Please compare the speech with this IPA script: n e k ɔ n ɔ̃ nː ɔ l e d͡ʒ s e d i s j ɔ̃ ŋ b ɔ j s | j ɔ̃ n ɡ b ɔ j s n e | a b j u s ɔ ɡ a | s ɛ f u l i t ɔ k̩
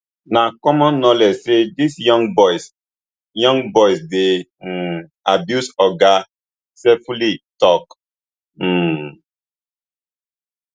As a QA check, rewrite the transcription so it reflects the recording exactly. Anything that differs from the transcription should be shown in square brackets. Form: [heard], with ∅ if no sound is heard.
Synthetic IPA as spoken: n [a] k ɔ [m] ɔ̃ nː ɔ l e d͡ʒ s e d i s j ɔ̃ ŋ b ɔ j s | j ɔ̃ [ŋ] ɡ b ɔ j s [d] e | a b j u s ɔ ɡ a | s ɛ f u l i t ɔ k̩